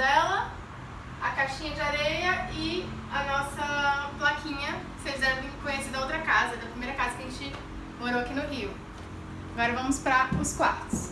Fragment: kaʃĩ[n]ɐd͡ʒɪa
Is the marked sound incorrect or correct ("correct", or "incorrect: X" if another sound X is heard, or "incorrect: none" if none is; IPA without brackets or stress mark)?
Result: incorrect: ɲ